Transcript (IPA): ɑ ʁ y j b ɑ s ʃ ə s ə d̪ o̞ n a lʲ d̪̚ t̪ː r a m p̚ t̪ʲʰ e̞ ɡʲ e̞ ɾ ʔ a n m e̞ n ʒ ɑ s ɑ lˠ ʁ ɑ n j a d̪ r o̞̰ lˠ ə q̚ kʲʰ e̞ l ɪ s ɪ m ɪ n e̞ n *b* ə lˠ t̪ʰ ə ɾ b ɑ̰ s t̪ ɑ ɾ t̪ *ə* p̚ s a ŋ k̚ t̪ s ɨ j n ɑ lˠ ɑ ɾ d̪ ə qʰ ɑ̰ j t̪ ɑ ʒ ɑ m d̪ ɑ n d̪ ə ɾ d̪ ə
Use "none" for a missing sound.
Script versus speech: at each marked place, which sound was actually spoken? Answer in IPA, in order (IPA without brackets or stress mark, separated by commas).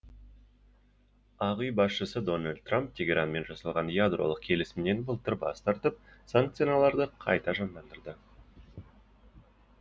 b, ə